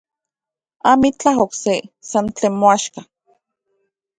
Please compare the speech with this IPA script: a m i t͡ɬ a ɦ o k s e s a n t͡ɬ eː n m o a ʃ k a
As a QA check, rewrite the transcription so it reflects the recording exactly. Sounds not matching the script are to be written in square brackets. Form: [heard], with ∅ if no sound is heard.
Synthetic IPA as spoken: a m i t͡ɬ a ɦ o k s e s a n t͡ɬ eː n m o a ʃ k a